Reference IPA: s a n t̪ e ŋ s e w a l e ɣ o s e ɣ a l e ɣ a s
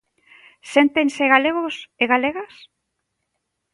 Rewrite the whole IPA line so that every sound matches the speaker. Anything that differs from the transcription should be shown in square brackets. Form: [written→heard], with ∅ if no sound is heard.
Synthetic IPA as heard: s [a→e] n t̪ e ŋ s e [w→ɣ] a l e ɣ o s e ɣ a l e ɣ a s